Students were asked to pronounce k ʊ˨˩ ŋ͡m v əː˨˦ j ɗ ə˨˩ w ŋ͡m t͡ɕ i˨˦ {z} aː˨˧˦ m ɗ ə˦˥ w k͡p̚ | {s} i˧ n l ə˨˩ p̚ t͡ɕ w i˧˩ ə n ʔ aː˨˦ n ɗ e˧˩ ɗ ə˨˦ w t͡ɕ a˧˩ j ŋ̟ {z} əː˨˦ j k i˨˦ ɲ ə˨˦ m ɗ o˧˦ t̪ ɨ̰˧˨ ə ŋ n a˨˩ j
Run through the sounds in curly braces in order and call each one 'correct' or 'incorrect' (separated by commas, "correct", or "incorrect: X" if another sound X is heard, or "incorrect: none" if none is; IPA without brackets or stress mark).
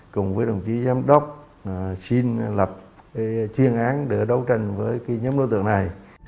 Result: correct, correct, incorrect: v